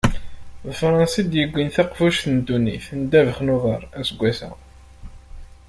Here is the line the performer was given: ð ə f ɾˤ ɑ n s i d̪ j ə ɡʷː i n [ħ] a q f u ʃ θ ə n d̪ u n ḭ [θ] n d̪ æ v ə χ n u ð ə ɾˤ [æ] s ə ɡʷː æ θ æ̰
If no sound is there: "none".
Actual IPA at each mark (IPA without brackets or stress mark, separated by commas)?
θ, θ, æ